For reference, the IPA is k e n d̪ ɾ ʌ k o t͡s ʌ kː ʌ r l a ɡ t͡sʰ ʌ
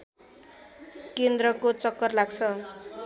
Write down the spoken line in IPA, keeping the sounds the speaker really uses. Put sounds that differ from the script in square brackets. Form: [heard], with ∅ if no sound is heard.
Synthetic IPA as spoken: k e n d̪ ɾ ʌ k o t͡s ʌ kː ʌ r l a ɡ t͡sʰ ʌ